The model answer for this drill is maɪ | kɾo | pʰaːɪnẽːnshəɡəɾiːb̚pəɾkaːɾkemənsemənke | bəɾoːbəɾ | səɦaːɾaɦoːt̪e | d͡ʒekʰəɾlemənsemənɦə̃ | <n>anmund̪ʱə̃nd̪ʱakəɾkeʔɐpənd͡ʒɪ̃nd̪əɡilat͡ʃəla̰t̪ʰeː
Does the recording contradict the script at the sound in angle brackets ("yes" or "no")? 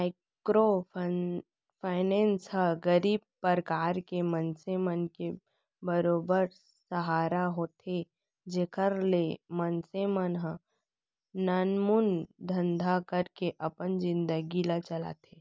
no